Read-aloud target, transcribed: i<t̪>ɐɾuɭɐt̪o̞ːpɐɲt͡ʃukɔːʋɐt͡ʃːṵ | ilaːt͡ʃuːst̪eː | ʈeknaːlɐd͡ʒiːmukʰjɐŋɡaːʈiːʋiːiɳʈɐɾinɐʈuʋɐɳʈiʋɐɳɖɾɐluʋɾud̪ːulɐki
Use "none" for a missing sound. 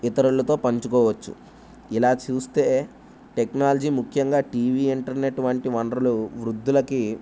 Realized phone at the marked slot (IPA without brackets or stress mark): t̪